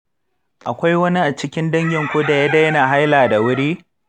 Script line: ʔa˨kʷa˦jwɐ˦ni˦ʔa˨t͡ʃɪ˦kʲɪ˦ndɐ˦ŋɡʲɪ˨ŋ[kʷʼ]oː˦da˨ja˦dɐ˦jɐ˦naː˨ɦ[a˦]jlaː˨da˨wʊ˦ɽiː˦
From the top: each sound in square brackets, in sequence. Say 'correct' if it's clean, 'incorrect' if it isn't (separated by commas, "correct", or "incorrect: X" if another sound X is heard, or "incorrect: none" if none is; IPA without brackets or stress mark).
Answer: incorrect: kʷ, correct